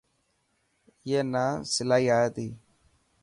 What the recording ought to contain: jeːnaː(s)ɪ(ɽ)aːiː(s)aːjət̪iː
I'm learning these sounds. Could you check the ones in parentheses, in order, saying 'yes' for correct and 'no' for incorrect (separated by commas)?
yes, no, no